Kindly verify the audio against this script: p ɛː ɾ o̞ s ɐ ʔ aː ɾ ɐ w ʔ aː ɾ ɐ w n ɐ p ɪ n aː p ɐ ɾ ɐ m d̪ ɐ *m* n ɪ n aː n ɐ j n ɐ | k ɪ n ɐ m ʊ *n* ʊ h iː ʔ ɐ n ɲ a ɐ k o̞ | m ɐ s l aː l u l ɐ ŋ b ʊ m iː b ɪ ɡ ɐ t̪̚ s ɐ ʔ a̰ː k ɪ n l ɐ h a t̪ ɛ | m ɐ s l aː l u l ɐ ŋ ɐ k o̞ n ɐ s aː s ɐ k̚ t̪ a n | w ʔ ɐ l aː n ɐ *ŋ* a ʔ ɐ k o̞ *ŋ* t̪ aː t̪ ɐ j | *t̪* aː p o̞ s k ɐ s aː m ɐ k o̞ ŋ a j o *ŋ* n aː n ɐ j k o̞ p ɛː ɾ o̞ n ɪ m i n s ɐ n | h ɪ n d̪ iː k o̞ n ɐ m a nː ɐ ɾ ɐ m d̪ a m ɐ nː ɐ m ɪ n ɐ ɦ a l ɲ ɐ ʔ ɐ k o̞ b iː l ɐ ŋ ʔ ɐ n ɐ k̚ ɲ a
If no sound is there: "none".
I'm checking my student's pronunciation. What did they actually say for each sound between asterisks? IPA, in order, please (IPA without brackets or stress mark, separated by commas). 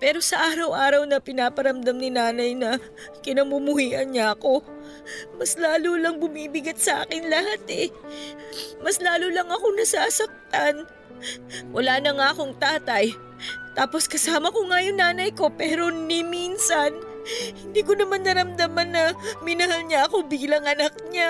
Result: m, m, ŋ, ŋ, t̪, ŋ